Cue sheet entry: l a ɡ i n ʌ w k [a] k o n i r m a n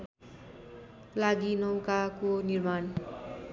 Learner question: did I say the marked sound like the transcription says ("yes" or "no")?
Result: yes